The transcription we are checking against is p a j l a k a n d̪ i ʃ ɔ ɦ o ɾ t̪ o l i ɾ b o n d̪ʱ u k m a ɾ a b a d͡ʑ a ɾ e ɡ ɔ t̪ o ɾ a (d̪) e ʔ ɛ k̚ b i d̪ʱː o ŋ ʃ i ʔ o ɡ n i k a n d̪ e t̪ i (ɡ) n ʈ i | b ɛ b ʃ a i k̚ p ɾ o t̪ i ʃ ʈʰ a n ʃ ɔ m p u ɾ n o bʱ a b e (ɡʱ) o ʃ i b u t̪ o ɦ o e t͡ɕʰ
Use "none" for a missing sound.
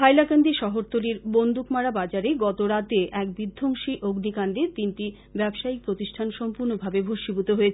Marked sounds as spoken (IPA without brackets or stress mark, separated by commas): t̪, none, bʱ